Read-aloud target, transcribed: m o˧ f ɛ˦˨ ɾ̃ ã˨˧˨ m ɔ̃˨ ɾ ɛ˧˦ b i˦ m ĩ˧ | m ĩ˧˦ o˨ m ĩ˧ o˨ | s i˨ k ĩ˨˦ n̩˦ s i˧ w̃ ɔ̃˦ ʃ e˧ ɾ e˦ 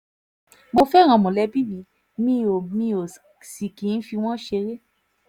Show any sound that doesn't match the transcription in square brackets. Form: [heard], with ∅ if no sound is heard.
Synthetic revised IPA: m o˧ f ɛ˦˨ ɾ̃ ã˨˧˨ m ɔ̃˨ [l] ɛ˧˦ b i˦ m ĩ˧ | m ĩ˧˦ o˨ m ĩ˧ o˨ | s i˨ k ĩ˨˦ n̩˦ [f] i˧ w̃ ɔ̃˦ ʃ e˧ ɾ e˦